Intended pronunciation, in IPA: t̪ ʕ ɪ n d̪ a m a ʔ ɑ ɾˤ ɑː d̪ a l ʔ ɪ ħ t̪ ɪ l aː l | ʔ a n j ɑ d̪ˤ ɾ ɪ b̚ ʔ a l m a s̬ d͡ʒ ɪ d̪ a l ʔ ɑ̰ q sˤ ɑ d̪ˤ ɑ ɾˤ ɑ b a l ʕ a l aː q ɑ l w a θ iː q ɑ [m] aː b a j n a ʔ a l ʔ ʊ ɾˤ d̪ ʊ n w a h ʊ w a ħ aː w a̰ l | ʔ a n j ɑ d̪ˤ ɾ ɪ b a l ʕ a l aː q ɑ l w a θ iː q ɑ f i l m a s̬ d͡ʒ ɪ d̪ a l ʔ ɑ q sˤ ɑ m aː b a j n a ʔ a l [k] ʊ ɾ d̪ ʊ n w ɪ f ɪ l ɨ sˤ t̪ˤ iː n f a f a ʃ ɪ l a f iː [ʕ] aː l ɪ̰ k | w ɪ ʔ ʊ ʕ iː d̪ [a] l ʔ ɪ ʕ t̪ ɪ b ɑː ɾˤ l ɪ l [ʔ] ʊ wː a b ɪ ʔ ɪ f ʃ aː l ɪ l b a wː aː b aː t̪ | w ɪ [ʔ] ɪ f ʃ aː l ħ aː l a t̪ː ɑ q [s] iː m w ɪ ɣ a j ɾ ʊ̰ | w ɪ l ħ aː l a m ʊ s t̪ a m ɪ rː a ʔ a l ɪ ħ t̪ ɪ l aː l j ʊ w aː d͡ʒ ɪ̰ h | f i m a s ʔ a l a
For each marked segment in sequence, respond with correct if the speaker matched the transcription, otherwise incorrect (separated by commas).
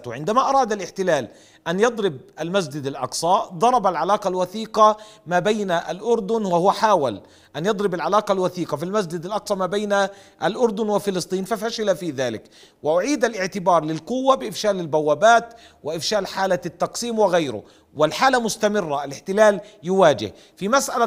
correct, incorrect, incorrect, correct, incorrect, correct, correct